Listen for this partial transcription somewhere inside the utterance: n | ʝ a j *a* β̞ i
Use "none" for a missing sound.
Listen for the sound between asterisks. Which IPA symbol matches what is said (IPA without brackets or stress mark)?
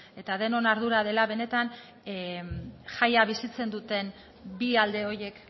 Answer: a